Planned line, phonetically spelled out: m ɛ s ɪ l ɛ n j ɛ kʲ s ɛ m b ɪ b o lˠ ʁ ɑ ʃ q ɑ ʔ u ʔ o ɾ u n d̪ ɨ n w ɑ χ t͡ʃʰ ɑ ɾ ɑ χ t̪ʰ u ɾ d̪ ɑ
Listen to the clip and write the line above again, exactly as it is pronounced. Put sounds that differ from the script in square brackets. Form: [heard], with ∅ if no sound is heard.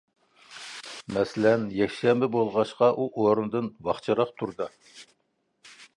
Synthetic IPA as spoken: m ɛ s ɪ l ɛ n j ɛ kʲ [ʃ] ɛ m b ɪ b o lˠ ʁ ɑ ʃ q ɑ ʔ u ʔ o ɾ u n d̪ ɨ n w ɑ χ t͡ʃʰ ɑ ɾ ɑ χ t̪ʰ u ɾ d̪ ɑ